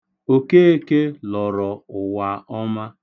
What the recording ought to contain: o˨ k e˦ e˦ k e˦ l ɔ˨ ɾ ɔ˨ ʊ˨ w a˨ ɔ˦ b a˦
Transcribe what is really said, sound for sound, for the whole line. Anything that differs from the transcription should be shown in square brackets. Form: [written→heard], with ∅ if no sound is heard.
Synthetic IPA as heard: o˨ k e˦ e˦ k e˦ l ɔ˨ ɾ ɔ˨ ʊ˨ w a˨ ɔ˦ [b→m] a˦